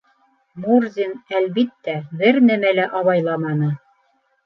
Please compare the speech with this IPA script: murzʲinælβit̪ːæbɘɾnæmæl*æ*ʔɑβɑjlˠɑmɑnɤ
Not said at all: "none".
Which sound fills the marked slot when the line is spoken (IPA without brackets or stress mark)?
æ